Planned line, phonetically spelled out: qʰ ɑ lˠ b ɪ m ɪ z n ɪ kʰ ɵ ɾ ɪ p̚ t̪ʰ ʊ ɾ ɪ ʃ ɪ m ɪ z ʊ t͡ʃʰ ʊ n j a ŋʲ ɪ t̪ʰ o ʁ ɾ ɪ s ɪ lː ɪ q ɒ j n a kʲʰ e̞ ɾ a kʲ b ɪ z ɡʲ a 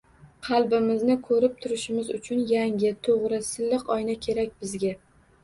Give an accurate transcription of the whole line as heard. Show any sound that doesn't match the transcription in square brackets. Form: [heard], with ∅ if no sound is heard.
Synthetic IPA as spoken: qʰ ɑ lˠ b ɪ m ɪ z n ɪ kʰ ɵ ɾ ɪ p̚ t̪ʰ ʊ ɾ ɪ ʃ ɪ m ɪ z ʊ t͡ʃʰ ʊ n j a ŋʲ ɪ t̪ʰ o ʁ ɾ ɪ s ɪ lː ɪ q ɒ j n a kʲʰ e̞ ɾ a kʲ b ɪ z ɡʲ a